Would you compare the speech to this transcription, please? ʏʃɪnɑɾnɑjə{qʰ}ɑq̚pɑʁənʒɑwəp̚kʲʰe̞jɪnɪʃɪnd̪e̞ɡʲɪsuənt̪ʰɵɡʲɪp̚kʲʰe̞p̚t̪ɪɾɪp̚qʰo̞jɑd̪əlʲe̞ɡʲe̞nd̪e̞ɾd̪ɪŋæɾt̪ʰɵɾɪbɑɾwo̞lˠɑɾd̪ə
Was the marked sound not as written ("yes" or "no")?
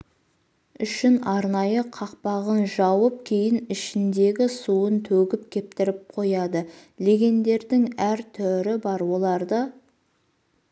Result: no